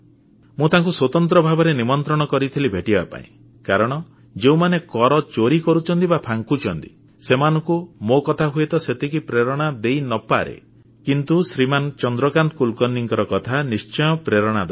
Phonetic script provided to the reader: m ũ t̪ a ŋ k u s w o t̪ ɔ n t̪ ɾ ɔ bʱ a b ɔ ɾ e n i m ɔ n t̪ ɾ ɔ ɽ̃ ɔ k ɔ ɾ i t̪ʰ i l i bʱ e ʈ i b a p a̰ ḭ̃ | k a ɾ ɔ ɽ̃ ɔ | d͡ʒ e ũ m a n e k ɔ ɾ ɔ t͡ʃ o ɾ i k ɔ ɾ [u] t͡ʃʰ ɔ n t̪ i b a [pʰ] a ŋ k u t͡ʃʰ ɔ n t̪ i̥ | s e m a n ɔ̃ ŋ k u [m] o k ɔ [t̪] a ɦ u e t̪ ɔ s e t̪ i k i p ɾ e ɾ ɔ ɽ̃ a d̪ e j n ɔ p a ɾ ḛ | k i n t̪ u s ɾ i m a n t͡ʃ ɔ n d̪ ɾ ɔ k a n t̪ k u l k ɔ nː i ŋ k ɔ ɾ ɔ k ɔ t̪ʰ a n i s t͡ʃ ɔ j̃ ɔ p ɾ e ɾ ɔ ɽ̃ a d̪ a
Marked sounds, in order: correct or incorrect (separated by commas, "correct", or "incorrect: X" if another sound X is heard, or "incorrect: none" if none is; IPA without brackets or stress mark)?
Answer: correct, correct, correct, incorrect: t̪ʰ